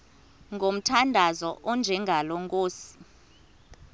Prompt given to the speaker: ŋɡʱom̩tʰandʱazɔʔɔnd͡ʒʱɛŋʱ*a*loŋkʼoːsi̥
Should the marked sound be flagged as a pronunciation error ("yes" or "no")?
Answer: no